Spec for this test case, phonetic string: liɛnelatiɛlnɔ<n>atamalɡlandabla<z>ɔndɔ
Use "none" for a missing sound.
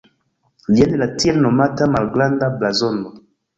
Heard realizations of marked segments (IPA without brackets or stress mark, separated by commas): m, z